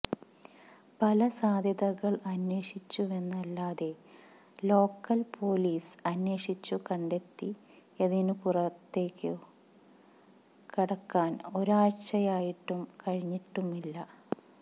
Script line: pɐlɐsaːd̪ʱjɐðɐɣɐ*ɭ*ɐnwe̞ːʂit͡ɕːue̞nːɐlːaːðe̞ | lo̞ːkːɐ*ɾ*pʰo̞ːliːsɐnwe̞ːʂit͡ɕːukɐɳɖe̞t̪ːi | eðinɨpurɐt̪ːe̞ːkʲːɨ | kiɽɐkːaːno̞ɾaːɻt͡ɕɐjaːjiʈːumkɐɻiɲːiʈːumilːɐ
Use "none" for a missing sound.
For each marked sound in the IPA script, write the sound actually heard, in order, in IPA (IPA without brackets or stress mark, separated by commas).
ɭ, l